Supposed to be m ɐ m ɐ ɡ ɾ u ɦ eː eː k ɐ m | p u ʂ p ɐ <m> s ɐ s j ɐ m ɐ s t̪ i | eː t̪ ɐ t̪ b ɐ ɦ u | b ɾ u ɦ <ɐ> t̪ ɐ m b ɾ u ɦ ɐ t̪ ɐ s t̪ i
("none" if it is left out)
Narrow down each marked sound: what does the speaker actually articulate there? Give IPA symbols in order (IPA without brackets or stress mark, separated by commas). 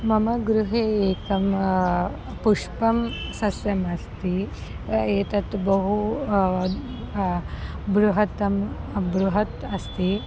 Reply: m, ɐ